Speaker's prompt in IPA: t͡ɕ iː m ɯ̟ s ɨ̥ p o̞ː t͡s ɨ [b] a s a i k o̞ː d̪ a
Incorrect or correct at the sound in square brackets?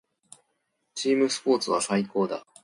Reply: incorrect: β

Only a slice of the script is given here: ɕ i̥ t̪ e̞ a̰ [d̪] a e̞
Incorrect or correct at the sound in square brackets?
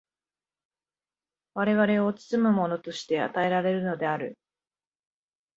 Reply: incorrect: t̪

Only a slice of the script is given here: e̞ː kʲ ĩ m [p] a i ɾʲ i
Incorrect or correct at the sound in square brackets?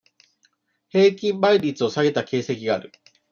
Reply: incorrect: b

